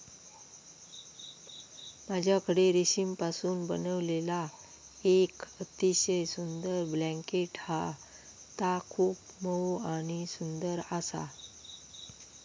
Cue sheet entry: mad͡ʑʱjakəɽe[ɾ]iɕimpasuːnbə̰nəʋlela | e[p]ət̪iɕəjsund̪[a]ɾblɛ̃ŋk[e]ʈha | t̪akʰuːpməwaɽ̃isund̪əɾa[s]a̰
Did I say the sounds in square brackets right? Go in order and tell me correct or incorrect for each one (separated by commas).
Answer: correct, incorrect, incorrect, correct, correct